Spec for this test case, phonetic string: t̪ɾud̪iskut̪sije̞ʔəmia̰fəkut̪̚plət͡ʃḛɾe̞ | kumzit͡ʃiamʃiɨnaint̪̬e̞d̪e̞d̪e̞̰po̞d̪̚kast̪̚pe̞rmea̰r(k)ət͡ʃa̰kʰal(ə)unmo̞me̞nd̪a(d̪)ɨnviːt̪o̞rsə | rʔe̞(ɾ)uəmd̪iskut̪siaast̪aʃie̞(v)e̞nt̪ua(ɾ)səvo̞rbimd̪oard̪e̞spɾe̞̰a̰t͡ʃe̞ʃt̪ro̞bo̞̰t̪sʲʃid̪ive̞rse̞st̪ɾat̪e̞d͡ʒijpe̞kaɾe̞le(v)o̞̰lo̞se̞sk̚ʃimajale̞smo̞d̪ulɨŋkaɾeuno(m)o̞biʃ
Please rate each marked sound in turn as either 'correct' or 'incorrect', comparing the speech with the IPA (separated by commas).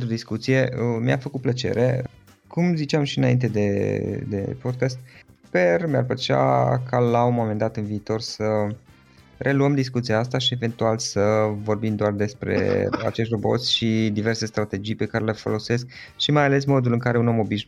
incorrect, incorrect, incorrect, incorrect, correct, incorrect, incorrect, correct